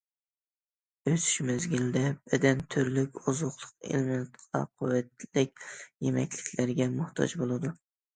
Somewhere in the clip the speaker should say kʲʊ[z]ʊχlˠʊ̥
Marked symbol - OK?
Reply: yes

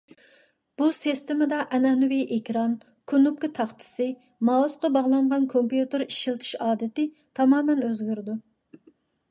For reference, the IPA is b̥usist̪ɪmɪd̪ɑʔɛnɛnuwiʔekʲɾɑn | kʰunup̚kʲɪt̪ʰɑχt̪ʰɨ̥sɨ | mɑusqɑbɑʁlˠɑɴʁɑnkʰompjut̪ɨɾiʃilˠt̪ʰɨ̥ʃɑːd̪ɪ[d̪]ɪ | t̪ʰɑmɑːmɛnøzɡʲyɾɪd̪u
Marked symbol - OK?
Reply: no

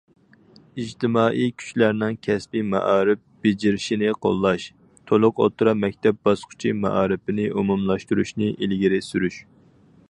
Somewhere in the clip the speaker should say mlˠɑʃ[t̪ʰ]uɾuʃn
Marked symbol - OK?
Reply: no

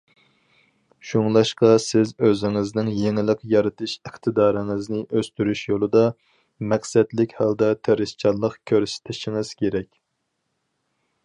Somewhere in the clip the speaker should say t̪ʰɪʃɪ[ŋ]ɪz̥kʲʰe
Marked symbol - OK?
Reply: yes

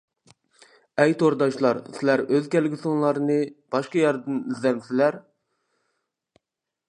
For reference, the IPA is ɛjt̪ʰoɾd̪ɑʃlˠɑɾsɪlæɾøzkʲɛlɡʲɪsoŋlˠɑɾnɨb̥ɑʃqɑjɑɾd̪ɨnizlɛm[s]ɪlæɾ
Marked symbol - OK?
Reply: yes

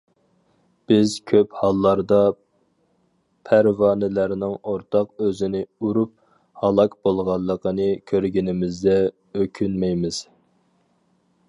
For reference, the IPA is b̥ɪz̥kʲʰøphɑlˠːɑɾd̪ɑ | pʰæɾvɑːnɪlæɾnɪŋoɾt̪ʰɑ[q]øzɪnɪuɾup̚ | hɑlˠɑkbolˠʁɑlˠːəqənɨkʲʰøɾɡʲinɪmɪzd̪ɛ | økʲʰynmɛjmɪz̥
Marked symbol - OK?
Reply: yes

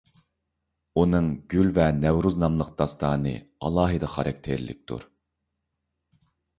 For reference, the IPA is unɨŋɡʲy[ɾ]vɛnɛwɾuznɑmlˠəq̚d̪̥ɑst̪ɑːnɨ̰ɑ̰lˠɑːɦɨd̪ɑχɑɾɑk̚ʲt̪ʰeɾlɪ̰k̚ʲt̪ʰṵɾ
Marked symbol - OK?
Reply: no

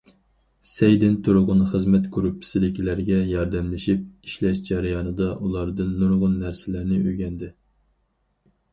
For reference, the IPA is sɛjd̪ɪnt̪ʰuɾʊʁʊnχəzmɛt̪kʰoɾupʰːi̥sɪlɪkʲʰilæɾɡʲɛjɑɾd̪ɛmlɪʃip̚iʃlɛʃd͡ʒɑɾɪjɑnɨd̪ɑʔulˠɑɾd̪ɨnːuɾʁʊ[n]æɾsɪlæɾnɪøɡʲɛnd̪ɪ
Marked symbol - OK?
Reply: no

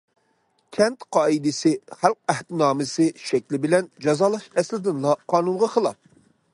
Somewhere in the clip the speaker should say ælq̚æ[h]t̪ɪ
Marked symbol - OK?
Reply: yes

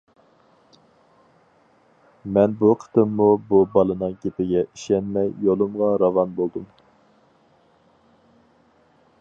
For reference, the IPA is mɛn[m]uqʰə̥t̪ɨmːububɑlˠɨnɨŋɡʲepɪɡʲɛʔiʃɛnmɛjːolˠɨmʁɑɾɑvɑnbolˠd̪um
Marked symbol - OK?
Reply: no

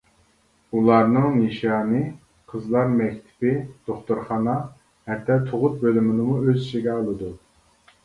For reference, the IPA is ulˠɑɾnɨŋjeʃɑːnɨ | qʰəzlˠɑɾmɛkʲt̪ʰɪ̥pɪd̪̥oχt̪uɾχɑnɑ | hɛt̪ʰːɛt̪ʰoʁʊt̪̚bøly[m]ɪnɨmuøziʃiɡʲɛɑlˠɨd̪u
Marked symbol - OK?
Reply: yes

